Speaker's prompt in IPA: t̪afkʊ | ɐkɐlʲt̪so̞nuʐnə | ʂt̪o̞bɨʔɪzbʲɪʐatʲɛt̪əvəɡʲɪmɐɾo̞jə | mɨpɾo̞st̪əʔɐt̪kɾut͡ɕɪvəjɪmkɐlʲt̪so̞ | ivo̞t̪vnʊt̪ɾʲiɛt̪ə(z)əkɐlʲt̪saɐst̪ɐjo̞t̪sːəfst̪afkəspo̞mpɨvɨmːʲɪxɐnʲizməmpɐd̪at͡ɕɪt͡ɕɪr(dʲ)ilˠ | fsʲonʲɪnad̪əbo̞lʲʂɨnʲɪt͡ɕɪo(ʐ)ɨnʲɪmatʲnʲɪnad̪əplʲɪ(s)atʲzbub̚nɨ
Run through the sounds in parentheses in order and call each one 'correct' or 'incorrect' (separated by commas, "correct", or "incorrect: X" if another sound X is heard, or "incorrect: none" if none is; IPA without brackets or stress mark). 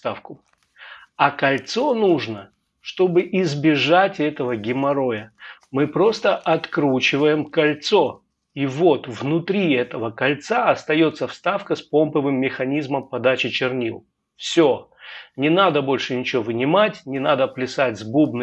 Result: incorrect: v, incorrect: nʲ, incorrect: v, correct